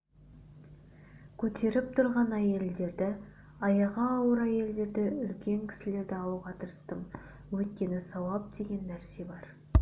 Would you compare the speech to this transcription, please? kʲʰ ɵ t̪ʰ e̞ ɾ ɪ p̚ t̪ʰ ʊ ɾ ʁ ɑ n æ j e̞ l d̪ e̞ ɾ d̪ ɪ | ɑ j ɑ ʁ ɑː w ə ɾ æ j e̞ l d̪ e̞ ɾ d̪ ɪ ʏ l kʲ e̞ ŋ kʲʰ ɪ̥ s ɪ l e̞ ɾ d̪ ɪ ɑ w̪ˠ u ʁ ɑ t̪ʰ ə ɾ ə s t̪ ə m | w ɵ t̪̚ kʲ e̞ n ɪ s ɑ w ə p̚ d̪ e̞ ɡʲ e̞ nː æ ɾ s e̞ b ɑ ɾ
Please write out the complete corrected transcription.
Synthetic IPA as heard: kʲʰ ɵ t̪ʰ e̞ ɾ ɪ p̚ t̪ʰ ʊ ɾ ʁ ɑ n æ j e̞ l d̪ e̞ ɾ d̪ ɪ | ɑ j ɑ ʁ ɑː w ə ɾ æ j e̞ l d̪ e̞ ɾ d̪ ɪ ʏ l kʲ e̞ ŋ kʲʰ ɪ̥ s ɪ l e̞ ɾ d̪ ɪ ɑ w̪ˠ u ʁ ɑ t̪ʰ ə ɾ ə s t̪ ə m | w ɵ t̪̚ kʲ e̞ n ɪ s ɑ w ɑ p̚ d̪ e̞ ɡʲ e̞ nː æ ɾ s e̞ b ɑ ɾ

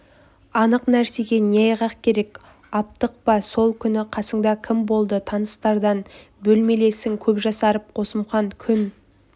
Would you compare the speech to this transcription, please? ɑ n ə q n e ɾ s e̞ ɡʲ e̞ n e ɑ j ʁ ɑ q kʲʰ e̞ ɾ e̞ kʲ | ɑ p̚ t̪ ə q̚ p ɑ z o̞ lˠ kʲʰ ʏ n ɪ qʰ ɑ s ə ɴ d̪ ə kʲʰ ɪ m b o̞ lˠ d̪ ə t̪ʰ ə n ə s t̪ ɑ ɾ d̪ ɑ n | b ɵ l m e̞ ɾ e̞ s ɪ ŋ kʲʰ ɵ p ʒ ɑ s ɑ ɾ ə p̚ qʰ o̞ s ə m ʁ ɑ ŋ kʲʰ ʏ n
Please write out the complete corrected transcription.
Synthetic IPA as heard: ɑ n ə q n æ ɾ s e̞ ɡʲ e̞ n e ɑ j ʁ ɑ q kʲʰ e̞ ɾ e̞ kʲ | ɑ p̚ t̪ ə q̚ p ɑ s o̞ lˠ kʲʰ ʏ n ɪ qʰ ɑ s ə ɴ d̪ ɑ kʲʰ ɪ m b o̞ lˠ d̪ ə t̪ʰ ɑ n ə s t̪ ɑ ɾ d̪ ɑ n | b ɵ l m e̞ l e̞ s ɪ ŋ kʲʰ ɵ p ʒ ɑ s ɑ ɾ ə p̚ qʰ o̞ s ə m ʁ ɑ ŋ kʲʰ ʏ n

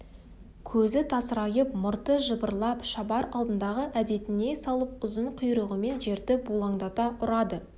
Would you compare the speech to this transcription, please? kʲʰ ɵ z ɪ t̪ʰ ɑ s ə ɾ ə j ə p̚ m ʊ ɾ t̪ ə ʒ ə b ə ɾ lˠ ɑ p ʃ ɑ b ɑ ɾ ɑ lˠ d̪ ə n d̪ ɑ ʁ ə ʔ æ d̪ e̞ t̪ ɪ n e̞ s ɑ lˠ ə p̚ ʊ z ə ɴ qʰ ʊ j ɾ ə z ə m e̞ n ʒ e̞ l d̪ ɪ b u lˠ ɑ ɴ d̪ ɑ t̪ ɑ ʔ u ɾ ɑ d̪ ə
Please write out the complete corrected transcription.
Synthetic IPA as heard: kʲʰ ɵ z ɪ t̪ʰ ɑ s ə ɾ ɑ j ə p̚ m ʊ ɾ t̪ ə ʒ ə b ə ɾ lˠ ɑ p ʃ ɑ b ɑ ɾ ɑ lˠ d̪ ə n d̪ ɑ ʁ ə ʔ æ d̪ e̞ t̪ ɪ n e̞ s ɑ lˠ ə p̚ ʊ z ə ɴ qʰ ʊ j ɾ ə ʁ ə m e̞ n ʒ e̞ ɾ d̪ ɪ b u lˠ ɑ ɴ d̪ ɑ t̪ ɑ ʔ ʊ ɾ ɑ d̪ ə

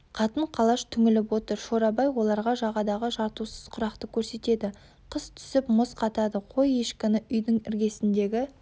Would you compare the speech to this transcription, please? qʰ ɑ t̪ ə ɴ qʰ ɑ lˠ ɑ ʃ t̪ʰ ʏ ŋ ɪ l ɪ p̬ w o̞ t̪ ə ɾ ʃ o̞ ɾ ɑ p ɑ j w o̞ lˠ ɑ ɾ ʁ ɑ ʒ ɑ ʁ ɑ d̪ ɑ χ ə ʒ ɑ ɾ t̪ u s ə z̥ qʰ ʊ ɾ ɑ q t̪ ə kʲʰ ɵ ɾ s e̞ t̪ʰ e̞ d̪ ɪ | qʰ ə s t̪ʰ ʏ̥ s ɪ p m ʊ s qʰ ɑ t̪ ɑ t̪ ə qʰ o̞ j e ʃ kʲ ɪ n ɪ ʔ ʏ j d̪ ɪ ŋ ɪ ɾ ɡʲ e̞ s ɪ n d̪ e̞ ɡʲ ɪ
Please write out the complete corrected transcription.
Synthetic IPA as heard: qʰ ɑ t̪ ə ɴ qʰ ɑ lˠ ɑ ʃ t̪ʰ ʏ ŋ ɪ l ɪ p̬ w o̞ t̪ ə ɾ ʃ o̞ ɾ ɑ b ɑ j w o̞ lˠ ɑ ɾ ʁ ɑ ʒ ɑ ʁ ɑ d̪ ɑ ʁ ə ʒ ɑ ɾ t̪ u s ə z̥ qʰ ʊ ɾ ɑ q t̪ ə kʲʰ ɵ ɾ s e̞ t̪ e̞ d̪ ɪ | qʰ ə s t̪ʰ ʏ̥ s ɪ p m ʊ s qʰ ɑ t̪ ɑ d̪ ə qʰ o̞ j e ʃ kʲ ɪ n ɪ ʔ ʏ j d̪ ɪ ŋ ɪ ɾ ɡʲ e̞ s ɪ n d̪ e̞ ɡʲ ɪ

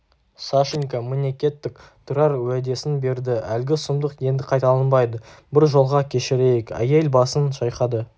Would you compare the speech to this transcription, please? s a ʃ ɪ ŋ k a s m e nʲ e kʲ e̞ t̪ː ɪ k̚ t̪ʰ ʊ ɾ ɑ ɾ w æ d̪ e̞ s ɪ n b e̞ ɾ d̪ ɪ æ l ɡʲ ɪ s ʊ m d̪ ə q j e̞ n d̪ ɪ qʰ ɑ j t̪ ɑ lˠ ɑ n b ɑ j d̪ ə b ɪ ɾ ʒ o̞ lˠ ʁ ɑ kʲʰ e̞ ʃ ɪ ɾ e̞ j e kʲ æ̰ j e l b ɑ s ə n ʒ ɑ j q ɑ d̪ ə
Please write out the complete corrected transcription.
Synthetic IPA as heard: s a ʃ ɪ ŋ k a m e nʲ e kʲ e̞ t̪ː ɪ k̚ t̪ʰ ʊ ɾ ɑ ɾ w æ d̪ e̞ s ɪ n b e̞ ɾ d̪ ɪ æ l ɡʲ ɪ s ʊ m d̪ ə q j e̞ n d̪ ɪ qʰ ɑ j t̪ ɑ lˠ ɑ n b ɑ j d̪ ə b ɪ ɾ ʒ o̞ lˠ ʁ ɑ kʲʰ e̞ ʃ ɪ ɾ e̞ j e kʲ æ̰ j e l b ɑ s ə n ʃ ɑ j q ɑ d̪ ə

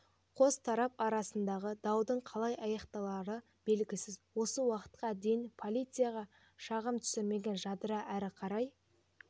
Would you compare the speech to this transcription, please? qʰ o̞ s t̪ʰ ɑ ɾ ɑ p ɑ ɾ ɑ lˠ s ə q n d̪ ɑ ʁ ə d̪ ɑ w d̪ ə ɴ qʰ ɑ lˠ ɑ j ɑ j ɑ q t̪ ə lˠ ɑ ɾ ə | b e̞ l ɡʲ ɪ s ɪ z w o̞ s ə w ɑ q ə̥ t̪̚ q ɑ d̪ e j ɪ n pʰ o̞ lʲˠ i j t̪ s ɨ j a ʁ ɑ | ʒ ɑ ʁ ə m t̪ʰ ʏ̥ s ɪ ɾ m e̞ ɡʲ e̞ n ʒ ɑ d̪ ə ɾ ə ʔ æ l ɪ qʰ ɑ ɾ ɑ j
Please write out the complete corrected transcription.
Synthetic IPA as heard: qʰ o̞ s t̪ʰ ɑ ɾ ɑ p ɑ ɾ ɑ s ə n d̪ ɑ ʁ ə d̪ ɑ w d̪ ə ɴ qʰ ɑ lˠ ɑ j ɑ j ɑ q t̪ ɑ lˠ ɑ ɾ ə | b e̞ l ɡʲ ɪ s ɪ z w o̞ s ə w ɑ q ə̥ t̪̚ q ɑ d̪ e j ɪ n pʰ o̞ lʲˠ i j t̪ s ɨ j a ʁ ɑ | ʃ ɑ ʁ ə m t̪ʰ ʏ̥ s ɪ ɾ m e̞ ɡʲ e̞ n ʒ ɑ d̪ ə ɾ ɑ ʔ æ ɾ ɪ qʰ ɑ ɾ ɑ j

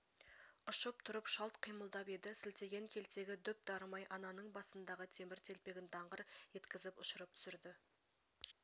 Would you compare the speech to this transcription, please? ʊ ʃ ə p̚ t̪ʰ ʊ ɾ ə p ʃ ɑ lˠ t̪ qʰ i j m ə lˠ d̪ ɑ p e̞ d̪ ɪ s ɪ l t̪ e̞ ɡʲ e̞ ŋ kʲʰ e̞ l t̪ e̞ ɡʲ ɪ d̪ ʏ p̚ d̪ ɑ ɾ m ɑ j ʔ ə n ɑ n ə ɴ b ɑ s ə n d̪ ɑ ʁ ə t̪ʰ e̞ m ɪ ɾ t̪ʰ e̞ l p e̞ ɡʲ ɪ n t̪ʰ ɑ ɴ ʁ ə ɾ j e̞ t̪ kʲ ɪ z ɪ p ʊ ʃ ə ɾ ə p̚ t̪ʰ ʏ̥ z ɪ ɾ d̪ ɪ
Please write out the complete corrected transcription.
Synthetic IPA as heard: ʊ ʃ ə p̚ t̪ʰ ʊ ɾ ə p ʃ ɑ lˠ t̪ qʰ i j m ə lˠ d̪ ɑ p e̞ d̪ ɪ s ɪ l t̪ e̞ ɡʲ e̞ ŋ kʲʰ e̞ l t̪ e̞ ɡʲ ɪ d̪ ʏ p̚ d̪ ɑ ɾ m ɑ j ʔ ɑ n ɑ n ə ɴ b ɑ s ə n d̪ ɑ ʁ ə t̪ʰ e̞ m ɪ ɾ t̪ʰ e̞ l p e̞ ɡʲ ɪ n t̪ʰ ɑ ɴ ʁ ə ɾ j e̞ t̪ kʲ ɪ z ɪ p ʊ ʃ ə ɾ ə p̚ t̪ʰ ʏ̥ s ɪ ɾ d̪ ɪ

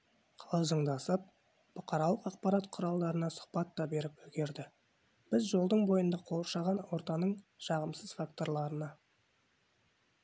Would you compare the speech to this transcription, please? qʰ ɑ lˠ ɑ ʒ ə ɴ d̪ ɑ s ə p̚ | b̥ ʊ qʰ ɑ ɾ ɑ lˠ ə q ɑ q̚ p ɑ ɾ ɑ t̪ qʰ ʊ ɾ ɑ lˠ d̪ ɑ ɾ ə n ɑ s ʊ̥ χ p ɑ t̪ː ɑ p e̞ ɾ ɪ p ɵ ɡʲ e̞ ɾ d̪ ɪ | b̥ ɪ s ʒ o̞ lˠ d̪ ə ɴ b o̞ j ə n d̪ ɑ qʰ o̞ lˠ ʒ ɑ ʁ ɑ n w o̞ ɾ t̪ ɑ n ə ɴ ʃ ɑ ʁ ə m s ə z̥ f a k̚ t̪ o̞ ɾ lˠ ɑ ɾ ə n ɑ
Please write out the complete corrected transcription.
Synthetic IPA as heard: qʰ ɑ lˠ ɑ ʒ ə ɴ d̪ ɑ s ə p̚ | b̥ ʊ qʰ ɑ ɾ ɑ lˠ ə q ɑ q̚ p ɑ ɾ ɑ t̪ qʰ ʊ ɾ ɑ lˠ d̪ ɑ ɾ ə n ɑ s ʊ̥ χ p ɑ t̪ː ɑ b e̞ ɾ ɪ p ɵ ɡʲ e̞ ɾ d̪ ɪ | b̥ ɪ z ʒ o̞ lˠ d̪ ə ɴ b o̞ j ə n d̪ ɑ qʰ o̞ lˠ ʃ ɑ ʁ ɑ n w o̞ ɾ t̪ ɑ n ə ɴ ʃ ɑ ʁ ə m s ə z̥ f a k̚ t̪ o̞ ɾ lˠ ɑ ɾ ə n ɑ

